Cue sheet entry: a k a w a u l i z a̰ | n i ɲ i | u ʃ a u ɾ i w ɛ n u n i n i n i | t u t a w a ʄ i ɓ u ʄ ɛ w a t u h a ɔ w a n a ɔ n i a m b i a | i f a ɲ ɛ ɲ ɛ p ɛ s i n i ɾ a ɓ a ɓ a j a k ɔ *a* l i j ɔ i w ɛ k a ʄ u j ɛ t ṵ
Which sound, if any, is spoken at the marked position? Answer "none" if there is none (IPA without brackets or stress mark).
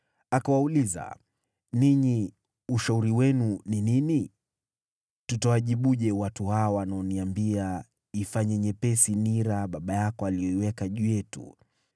a